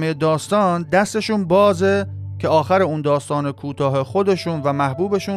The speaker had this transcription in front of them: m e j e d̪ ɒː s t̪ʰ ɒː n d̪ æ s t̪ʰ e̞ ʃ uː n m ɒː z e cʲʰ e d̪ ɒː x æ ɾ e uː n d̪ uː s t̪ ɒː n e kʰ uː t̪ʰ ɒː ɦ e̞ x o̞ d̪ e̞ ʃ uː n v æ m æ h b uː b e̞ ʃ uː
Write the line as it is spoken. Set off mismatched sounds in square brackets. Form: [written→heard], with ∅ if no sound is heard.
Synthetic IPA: m e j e d̪ ɒː s [t̪ʰ→t̪] ɒː n d̪ æ s [t̪ʰ→t̪] e̞ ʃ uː n [m→b] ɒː z e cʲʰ e [d̪→∅] ɒː x æ ɾ e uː n d̪ [uː→ɒː] s t̪ ɒː n e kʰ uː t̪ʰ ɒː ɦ e̞ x o̞ d̪ e̞ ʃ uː n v æ m æ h b uː b e̞ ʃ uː